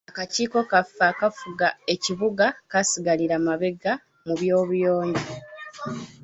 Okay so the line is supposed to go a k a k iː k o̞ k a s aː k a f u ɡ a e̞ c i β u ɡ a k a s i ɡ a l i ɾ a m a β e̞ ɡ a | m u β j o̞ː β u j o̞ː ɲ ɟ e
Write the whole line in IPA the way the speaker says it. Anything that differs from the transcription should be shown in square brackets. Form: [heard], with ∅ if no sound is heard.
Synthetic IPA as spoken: a k a [c] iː k o̞ k a [f] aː k a f u ɡ a e̞ c i β u ɡ a k a s i ɡ a l i ɾ a m a β e̞ ɡ a | m u β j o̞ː β u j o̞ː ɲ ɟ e